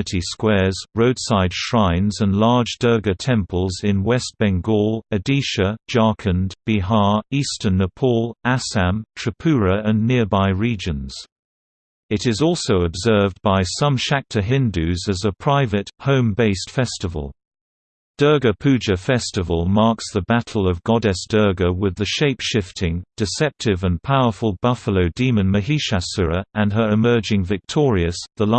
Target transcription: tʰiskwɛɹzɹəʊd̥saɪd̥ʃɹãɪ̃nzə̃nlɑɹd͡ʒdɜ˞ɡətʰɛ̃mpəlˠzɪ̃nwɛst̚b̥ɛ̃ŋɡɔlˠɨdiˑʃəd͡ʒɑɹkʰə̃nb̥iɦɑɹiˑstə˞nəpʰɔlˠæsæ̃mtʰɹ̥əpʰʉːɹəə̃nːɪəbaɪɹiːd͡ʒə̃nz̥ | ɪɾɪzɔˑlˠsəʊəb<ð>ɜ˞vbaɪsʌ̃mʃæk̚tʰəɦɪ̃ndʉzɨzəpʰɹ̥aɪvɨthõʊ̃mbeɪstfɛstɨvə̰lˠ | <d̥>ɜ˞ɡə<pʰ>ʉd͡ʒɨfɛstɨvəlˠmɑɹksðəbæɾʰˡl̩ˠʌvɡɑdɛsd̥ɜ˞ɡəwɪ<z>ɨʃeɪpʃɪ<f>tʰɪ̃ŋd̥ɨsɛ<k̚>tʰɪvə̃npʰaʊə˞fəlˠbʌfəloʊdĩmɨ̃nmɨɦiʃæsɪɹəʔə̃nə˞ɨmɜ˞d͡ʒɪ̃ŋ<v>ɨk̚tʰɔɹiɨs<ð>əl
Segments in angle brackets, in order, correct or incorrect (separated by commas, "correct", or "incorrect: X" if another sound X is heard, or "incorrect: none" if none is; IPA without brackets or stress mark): incorrect: z, correct, correct, incorrect: ð, correct, incorrect: p̚, correct, correct